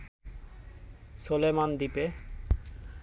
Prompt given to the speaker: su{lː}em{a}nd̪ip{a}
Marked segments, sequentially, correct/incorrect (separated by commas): incorrect, correct, incorrect